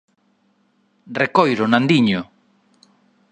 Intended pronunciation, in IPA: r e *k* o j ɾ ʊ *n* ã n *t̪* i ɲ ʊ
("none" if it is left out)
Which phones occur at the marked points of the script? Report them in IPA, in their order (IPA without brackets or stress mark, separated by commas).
k, n, d̪